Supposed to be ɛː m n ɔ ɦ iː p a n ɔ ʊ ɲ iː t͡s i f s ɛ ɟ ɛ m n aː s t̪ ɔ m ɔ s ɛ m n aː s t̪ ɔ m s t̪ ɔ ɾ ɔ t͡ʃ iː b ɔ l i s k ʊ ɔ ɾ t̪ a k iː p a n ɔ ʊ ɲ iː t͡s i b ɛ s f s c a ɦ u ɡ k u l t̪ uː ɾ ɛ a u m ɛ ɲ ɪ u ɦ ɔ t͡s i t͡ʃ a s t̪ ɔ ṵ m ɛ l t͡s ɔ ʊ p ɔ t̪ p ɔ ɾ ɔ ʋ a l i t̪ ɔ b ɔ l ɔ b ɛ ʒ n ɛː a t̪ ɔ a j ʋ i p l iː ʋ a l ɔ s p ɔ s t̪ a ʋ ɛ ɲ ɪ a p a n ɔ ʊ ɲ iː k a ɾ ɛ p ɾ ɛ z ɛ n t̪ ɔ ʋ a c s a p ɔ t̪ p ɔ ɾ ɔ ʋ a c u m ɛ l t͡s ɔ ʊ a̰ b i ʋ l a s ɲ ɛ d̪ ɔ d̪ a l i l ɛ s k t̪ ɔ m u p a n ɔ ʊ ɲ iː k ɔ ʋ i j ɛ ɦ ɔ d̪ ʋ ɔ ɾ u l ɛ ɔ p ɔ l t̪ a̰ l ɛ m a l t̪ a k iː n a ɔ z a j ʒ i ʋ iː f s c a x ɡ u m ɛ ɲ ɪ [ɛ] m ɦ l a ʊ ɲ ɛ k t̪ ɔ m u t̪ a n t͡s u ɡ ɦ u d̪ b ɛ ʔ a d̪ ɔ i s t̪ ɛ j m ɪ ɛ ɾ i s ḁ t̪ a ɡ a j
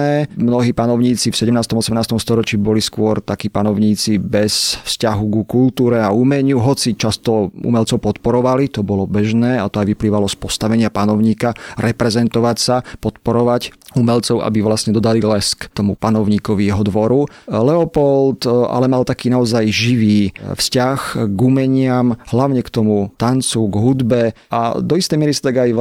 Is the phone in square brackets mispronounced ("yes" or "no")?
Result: yes